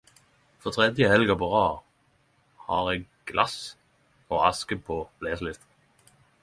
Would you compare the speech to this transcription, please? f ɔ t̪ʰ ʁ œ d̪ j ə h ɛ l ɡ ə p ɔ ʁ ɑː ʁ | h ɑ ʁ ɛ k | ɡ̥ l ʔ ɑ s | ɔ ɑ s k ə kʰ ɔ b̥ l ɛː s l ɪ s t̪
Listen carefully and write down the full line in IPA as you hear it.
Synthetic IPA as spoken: f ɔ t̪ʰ ʁ ɛ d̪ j ə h ɛ l ɡ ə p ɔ ʁ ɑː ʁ | h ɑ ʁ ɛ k | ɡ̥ l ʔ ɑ s | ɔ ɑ s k ə pʰ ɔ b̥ l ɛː s l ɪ s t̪